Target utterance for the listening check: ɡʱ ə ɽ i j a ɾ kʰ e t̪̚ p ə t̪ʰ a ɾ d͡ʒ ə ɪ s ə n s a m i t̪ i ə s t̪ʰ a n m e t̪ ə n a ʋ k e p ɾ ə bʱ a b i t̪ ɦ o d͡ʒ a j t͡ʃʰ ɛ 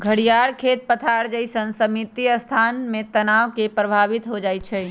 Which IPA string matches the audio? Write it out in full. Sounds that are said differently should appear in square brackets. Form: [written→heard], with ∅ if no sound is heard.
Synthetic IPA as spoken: ɡʱ ə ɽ i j a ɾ kʰ e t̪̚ p ə t̪ʰ a ɾ d͡ʒ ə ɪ s ə n s [a→ə] m i t̪ i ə s t̪ʰ a n m e t̪ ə n a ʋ k e p ɾ ə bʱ a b i t̪ ɦ o d͡ʒ a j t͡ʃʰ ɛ